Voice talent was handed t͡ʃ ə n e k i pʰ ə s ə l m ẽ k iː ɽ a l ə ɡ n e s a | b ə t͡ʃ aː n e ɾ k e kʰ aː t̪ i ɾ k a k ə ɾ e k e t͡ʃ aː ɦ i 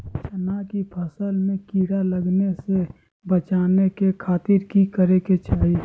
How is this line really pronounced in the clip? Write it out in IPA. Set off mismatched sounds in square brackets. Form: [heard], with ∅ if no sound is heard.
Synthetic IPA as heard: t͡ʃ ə n [a] k i pʰ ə s ə l m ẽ k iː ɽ a l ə ɡ n e s [e] | b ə t͡ʃ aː n e [∅] k e kʰ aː t̪ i ɾ k [i] k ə ɾ e k e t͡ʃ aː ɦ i